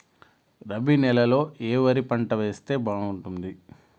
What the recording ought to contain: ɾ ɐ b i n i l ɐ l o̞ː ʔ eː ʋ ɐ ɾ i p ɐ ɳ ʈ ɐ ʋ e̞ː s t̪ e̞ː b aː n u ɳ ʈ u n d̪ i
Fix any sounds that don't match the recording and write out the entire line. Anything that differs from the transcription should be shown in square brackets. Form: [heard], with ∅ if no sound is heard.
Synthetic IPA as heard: ɾ ɐ b i n [ɛ] l ɐ l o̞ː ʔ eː ʋ ɐ ɾ i p ɐ ɳ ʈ ɐ ʋ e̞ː s t̪ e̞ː b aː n u ɳ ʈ u n d̪ i